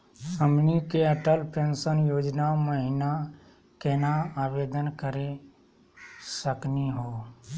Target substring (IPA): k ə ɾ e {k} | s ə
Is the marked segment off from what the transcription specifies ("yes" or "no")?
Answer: yes